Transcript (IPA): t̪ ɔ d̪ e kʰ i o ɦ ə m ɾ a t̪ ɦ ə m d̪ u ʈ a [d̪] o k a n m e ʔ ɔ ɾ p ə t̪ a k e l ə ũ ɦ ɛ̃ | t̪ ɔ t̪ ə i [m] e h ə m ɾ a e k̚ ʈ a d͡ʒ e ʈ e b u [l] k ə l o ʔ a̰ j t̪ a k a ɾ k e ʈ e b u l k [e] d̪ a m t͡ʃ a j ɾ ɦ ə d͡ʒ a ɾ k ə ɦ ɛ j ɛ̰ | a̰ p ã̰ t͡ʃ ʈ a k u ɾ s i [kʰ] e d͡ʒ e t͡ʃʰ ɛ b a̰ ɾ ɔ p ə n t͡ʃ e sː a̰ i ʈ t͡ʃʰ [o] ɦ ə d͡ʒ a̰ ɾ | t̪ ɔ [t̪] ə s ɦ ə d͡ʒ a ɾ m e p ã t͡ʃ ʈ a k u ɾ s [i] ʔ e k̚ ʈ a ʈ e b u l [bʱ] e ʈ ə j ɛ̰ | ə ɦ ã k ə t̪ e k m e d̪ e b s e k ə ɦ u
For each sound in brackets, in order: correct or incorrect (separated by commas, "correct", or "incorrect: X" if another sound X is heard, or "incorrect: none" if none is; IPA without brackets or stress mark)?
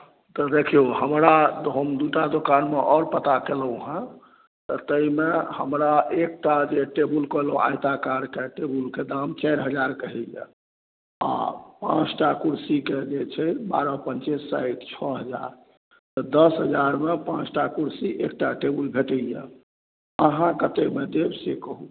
correct, correct, correct, correct, incorrect: k, incorrect: ɔ, incorrect: d̪, correct, correct